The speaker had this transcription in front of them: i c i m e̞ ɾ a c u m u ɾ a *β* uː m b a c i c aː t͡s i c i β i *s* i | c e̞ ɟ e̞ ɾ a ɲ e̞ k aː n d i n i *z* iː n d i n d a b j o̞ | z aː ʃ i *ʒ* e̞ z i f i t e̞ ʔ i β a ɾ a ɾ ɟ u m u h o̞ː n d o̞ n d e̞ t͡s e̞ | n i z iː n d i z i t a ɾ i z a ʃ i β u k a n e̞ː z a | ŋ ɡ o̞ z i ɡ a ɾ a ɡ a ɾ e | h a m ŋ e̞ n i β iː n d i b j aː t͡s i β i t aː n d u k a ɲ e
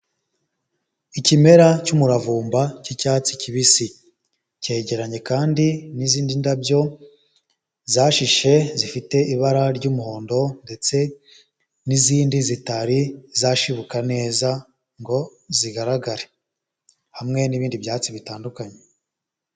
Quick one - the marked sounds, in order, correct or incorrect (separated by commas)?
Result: incorrect, correct, correct, incorrect